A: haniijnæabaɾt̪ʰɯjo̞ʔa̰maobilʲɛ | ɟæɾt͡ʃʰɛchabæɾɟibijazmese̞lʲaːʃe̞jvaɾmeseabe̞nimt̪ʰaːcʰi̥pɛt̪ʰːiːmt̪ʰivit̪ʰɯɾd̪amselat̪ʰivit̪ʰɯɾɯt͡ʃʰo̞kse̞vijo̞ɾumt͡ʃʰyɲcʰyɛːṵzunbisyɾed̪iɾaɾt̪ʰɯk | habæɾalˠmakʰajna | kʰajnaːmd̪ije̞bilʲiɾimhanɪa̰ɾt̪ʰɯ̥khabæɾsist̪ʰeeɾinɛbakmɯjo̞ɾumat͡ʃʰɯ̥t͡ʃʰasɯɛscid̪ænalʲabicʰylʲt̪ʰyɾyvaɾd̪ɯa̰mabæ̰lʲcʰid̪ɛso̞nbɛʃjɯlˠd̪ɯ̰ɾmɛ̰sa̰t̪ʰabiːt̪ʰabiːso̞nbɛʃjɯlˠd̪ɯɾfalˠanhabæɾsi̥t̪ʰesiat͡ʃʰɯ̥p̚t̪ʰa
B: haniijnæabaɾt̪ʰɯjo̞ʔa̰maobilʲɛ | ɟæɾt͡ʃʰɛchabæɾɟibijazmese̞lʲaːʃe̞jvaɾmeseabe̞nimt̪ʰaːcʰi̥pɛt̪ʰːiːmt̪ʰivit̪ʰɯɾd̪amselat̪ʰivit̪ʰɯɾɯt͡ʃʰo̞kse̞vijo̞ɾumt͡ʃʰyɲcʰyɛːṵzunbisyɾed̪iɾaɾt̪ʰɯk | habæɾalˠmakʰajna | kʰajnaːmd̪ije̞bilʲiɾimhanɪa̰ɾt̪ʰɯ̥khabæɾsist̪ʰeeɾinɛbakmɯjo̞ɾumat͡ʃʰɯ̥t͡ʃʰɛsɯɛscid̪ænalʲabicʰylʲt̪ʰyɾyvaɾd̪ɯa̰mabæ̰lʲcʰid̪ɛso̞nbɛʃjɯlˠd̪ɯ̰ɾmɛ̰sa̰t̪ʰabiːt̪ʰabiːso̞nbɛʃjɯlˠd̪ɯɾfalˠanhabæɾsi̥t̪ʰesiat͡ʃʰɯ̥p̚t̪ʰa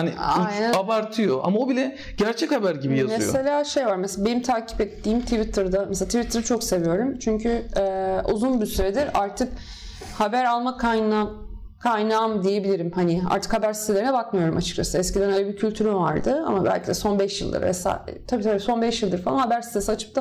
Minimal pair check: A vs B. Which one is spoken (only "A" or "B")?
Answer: A